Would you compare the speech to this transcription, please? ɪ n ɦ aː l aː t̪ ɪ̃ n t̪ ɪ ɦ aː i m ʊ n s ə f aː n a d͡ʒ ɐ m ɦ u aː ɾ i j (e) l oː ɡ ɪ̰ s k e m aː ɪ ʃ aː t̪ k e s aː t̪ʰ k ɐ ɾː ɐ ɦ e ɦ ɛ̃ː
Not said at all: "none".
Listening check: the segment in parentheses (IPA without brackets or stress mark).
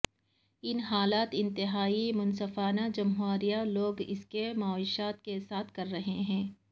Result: a